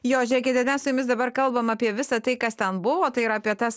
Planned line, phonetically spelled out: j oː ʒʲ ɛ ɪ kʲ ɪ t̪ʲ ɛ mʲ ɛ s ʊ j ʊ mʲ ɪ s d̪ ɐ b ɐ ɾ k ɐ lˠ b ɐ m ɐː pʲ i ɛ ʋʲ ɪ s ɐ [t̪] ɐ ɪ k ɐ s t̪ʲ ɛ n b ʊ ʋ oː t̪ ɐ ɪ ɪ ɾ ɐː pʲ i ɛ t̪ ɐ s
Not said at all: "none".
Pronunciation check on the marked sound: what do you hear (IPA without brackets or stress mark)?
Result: t̪